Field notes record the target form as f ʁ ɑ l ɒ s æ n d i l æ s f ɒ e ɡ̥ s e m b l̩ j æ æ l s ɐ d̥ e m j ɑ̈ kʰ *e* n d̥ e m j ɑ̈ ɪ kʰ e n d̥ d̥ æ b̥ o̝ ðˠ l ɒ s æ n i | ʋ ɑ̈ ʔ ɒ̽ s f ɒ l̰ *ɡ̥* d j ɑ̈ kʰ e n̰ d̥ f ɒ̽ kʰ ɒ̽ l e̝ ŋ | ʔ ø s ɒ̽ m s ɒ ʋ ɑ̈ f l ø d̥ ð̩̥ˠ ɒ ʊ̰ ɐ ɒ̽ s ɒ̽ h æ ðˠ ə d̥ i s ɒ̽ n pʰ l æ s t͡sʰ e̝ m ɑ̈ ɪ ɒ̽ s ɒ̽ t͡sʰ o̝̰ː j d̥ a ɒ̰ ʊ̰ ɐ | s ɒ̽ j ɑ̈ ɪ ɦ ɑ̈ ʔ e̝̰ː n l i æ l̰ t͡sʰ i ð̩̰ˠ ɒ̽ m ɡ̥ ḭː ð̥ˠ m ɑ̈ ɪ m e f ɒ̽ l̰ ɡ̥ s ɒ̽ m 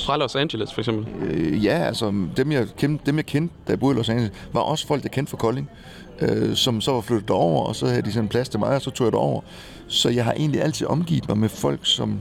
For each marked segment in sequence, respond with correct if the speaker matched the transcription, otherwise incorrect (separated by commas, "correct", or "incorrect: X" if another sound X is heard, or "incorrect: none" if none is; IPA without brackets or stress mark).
correct, correct